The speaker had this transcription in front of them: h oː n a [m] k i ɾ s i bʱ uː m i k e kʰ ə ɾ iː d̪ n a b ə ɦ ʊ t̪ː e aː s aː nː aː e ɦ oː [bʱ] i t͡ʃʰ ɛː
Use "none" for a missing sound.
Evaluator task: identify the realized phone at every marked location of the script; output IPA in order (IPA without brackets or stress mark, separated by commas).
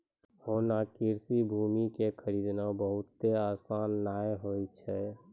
none, none